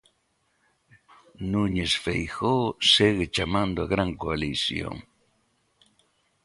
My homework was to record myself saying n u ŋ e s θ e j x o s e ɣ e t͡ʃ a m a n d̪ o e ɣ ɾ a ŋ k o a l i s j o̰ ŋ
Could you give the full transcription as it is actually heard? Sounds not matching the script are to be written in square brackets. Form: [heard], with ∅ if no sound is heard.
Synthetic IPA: n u [ɲ] e s [f] e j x o s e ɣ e t͡ʃ a m a n d̪ o [a] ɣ ɾ a ŋ k o a l i s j o̰ ŋ